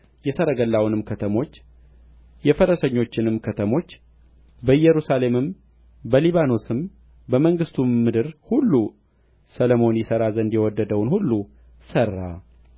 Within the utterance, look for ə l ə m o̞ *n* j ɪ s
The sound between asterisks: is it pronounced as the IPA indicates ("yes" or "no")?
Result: yes